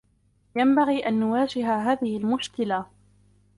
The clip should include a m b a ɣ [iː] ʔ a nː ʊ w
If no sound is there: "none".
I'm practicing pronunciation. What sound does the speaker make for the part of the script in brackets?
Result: iː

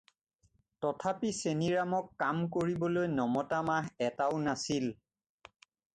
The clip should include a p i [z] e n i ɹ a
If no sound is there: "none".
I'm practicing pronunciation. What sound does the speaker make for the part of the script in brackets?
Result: s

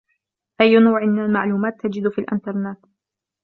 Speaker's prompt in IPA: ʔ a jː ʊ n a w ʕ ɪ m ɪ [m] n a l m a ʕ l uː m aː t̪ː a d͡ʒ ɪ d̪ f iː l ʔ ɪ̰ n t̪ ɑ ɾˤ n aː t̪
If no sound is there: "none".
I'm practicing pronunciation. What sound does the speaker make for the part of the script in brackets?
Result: none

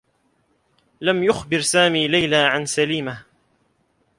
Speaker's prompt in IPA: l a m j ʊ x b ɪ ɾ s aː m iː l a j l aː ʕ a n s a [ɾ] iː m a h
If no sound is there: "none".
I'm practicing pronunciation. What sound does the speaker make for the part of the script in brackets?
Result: l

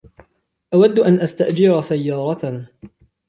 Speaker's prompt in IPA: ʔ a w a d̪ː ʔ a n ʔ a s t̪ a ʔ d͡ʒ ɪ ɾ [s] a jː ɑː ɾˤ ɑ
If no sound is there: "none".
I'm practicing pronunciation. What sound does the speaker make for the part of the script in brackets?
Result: s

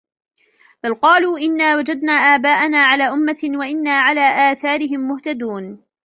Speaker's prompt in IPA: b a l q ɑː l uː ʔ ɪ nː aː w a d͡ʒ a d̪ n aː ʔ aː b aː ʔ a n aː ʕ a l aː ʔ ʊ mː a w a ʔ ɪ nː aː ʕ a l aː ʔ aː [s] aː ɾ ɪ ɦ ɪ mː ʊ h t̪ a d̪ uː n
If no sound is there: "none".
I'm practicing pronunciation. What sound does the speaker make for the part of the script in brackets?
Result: θ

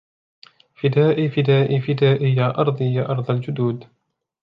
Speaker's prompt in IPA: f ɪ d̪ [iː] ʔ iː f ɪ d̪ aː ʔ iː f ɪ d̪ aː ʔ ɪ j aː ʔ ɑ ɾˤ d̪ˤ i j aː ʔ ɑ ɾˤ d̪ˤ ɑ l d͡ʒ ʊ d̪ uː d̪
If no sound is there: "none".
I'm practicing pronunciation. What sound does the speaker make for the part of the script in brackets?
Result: aː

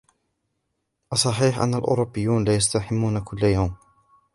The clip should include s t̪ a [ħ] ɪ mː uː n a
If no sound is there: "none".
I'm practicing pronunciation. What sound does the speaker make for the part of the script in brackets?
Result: ħ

